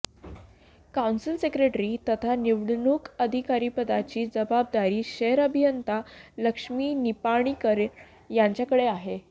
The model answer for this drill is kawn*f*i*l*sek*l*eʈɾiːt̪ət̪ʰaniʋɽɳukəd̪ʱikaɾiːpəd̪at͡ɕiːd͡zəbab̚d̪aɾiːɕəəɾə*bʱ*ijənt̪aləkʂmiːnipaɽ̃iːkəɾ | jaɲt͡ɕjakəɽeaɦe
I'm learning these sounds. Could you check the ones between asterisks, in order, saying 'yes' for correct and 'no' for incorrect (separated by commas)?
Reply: no, yes, no, yes